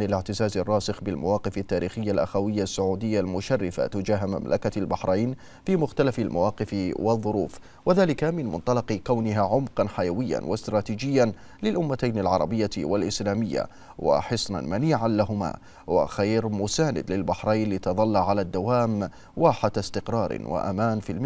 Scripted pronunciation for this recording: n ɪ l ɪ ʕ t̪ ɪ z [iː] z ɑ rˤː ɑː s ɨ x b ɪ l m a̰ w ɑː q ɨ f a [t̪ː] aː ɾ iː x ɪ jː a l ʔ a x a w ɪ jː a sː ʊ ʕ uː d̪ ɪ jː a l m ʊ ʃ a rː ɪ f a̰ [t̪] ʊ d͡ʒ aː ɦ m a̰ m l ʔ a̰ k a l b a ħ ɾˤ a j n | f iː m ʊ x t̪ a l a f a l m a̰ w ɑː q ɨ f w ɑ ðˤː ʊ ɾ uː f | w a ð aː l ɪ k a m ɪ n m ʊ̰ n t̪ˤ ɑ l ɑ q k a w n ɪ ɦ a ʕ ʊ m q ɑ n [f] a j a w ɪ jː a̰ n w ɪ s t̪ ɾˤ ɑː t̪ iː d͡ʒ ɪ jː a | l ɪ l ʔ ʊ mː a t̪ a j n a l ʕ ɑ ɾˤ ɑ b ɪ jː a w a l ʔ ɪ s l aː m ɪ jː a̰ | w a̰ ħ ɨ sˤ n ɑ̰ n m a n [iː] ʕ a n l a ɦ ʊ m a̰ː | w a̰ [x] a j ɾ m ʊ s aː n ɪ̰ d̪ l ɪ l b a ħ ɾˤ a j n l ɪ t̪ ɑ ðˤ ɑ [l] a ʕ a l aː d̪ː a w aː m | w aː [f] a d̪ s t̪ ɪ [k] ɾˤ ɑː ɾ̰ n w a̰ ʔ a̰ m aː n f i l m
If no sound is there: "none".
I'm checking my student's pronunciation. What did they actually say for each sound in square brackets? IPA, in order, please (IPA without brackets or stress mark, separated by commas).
aː, t̪ː, t̪, ħ, iː, x, lː, ħ, q